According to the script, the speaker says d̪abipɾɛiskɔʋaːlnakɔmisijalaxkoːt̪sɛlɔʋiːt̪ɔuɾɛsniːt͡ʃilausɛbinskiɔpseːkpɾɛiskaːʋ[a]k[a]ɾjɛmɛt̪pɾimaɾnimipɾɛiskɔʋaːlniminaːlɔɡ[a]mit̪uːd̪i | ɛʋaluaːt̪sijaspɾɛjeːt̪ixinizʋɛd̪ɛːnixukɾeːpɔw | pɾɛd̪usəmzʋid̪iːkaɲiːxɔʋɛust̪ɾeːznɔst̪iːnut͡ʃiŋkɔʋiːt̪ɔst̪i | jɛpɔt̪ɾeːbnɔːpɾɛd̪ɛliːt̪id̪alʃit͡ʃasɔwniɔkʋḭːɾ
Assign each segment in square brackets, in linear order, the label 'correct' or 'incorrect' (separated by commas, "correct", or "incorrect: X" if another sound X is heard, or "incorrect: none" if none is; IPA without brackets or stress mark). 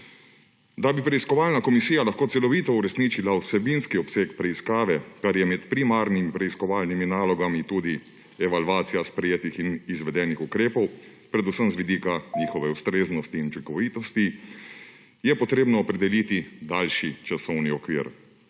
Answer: incorrect: ɛ, correct, correct